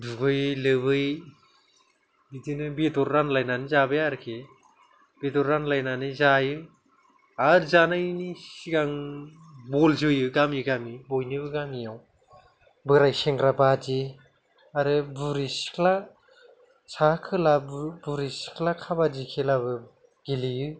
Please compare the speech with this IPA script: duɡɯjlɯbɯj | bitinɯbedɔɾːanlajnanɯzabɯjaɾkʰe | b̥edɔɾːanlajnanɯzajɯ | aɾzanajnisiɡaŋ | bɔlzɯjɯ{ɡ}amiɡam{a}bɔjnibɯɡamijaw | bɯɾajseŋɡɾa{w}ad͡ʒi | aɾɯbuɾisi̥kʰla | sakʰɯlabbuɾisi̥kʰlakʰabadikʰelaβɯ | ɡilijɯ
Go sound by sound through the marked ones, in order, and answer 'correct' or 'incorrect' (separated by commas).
correct, incorrect, incorrect